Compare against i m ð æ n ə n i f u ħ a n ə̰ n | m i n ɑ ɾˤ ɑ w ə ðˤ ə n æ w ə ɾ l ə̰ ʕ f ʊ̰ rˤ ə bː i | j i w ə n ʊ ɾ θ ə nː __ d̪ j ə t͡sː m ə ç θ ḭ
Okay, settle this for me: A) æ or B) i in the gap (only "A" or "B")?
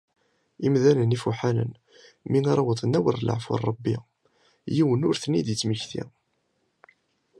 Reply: B